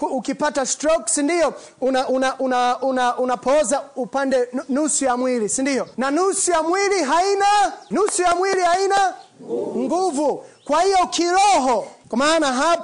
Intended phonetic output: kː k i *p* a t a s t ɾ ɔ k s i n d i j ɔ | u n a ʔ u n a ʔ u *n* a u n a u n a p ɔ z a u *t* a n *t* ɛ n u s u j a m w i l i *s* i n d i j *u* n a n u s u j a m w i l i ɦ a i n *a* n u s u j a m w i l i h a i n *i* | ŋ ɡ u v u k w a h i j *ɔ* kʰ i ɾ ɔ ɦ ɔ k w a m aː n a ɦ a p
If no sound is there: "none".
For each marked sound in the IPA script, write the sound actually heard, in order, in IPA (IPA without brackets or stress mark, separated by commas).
p, n, p, d, s, ɔ, a, a, ɔ